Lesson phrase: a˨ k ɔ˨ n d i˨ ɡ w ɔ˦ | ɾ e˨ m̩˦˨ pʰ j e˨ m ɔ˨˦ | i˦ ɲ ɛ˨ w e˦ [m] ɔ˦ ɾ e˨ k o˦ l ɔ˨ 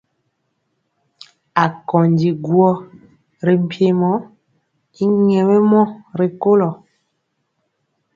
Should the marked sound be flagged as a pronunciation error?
no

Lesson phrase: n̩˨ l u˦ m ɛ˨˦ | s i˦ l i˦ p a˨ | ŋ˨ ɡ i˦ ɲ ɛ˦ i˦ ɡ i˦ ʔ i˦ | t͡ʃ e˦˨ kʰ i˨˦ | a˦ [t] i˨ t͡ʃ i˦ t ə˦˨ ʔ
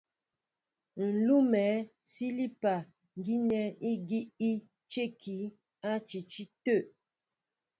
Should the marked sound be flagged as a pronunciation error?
yes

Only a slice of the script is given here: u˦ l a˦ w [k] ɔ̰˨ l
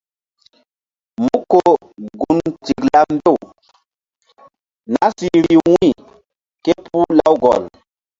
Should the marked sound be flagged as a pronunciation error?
yes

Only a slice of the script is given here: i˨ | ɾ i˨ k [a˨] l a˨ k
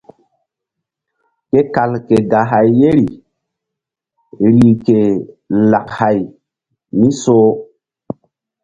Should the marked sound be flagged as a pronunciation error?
yes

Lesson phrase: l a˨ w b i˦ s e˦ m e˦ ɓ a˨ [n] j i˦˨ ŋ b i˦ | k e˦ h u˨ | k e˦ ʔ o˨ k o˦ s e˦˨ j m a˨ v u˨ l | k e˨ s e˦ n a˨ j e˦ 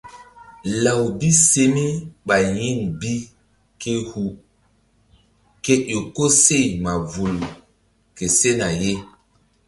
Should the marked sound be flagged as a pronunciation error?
yes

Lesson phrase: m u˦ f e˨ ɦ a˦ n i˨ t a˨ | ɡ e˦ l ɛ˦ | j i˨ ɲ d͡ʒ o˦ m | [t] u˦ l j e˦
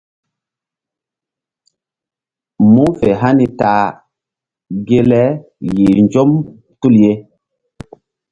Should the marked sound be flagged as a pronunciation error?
no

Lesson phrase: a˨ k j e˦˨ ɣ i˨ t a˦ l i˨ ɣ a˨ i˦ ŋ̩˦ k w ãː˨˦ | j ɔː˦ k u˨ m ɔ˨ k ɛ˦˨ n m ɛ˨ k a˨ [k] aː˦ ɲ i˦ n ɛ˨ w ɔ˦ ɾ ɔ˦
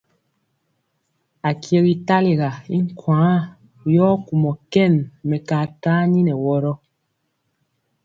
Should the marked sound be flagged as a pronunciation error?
yes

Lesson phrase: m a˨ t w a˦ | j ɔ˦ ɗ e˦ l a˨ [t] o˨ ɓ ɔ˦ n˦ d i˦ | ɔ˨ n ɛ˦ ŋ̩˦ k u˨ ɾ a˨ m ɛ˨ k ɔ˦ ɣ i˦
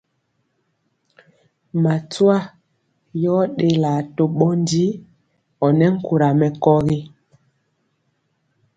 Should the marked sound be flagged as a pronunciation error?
no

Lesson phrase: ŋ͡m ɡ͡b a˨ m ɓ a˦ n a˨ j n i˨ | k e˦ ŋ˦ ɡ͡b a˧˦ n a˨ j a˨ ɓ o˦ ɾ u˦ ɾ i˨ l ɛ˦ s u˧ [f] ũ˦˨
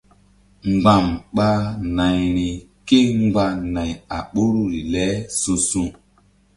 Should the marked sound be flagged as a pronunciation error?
yes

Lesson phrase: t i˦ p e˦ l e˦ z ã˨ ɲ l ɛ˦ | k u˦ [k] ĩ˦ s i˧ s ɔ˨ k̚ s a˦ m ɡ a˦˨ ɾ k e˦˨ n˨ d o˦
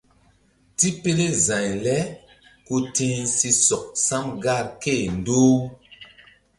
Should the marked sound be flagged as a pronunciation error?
yes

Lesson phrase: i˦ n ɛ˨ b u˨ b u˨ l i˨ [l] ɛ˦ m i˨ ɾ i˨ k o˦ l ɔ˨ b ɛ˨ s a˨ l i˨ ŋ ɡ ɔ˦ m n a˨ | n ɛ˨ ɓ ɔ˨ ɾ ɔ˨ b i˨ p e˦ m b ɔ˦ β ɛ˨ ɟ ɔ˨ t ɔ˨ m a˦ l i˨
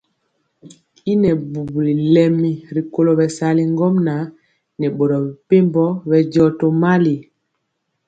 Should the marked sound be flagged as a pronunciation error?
no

